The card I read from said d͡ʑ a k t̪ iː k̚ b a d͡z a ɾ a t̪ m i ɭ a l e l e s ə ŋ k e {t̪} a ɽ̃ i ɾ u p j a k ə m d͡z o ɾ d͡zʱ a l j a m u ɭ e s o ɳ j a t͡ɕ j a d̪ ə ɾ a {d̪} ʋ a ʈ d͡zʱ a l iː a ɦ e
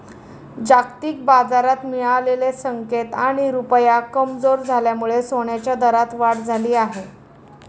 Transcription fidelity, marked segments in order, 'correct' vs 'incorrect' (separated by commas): correct, incorrect